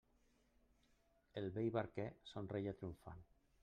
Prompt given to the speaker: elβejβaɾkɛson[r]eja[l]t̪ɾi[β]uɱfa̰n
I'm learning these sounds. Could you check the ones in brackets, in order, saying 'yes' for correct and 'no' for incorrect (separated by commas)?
yes, no, no